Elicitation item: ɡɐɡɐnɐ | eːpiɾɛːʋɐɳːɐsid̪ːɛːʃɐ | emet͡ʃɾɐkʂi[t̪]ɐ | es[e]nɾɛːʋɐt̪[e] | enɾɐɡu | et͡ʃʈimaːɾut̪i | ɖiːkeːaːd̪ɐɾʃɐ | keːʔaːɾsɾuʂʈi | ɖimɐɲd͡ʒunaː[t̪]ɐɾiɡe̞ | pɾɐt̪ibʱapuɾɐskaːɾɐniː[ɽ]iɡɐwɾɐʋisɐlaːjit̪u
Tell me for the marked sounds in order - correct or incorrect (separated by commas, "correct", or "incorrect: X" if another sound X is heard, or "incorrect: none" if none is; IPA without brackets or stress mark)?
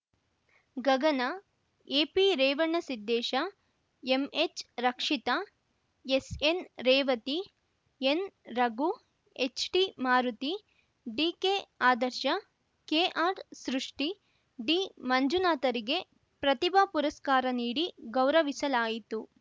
correct, correct, incorrect: i, correct, correct